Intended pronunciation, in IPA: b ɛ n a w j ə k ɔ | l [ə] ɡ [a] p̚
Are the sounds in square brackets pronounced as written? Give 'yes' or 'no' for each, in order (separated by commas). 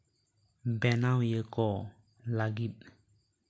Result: no, no